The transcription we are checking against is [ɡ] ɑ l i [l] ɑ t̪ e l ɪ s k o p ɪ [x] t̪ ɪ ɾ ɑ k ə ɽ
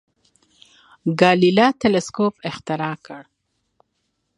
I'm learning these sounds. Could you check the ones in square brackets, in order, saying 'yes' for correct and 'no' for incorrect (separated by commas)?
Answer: yes, yes, yes